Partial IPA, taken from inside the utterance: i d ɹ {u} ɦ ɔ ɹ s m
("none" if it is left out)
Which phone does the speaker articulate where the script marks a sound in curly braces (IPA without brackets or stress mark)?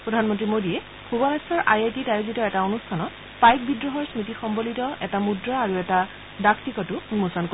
ɔ